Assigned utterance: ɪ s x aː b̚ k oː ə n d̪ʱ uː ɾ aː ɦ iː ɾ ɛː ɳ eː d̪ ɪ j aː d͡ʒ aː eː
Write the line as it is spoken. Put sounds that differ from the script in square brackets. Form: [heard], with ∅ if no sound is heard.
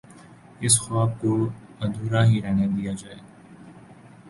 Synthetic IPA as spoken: ɪ s x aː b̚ k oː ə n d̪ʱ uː ɾ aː ɦ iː ɾ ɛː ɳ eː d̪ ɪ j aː d͡ʒ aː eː